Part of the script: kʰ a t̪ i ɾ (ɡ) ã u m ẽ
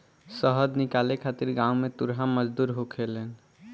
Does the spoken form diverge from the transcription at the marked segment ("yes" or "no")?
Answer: no